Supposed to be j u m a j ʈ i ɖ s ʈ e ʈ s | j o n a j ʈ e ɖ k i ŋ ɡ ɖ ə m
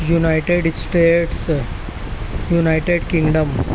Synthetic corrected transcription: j u n a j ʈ e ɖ s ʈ e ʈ s | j u n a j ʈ e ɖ k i ŋ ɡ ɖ ə m